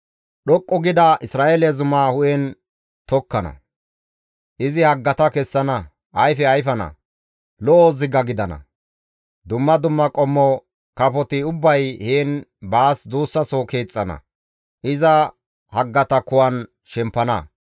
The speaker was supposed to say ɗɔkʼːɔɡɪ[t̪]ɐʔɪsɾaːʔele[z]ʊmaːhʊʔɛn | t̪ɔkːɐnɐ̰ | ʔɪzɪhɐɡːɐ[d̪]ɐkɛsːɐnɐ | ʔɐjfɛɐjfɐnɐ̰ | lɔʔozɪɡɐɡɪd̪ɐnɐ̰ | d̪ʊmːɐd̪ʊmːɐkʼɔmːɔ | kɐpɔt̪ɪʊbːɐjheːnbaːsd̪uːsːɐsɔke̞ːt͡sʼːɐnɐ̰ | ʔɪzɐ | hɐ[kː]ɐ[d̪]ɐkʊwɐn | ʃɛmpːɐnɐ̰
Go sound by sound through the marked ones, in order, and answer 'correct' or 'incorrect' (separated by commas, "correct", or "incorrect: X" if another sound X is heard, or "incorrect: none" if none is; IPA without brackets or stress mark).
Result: incorrect: d̪, correct, incorrect: t̪, incorrect: ɡː, incorrect: t̪